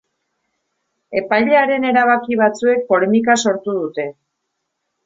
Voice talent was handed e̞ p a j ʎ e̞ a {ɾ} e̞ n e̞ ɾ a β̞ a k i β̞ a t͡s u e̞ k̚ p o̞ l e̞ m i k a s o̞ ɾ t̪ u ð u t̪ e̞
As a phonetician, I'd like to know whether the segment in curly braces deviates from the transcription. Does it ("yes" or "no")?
no